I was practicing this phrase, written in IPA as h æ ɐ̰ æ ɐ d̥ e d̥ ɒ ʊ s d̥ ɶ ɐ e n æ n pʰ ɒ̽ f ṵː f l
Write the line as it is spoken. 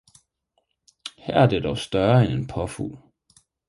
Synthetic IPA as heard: h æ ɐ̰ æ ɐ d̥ e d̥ ɒ ʊ s d̥ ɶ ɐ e n e n pʰ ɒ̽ f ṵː l